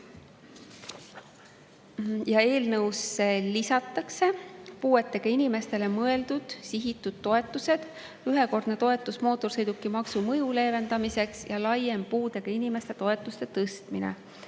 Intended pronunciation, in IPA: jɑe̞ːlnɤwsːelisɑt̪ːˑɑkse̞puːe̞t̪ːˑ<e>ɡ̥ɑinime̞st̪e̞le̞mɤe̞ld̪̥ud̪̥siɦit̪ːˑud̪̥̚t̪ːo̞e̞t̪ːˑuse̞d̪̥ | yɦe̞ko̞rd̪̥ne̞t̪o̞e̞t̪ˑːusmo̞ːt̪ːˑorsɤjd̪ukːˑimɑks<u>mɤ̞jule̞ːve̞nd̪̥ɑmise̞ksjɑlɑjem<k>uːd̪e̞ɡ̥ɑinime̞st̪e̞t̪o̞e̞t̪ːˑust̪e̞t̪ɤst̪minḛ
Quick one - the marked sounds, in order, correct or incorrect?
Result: correct, correct, incorrect

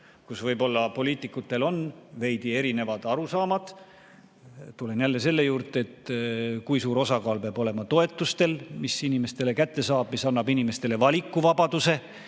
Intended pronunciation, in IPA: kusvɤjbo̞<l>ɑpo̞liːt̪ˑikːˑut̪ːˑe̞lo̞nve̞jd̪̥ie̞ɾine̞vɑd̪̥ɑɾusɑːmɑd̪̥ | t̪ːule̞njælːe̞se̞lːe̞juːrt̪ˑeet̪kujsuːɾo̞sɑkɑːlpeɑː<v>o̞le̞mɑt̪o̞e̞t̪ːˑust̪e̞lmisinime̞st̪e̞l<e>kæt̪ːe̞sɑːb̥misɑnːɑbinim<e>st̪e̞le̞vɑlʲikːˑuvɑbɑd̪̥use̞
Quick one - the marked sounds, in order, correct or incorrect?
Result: incorrect, incorrect, correct, correct

